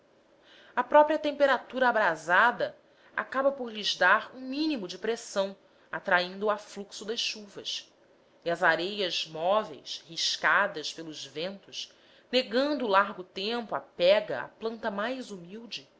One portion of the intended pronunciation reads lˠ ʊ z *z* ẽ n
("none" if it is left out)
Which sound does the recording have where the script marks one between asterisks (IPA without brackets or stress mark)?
v